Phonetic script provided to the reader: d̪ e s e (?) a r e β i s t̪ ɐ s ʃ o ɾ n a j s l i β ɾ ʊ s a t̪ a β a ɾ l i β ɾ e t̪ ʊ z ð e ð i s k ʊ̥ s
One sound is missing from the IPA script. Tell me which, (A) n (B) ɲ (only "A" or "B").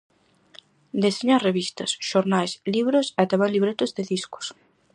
B